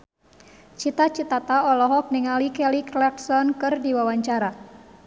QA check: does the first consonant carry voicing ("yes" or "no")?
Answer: no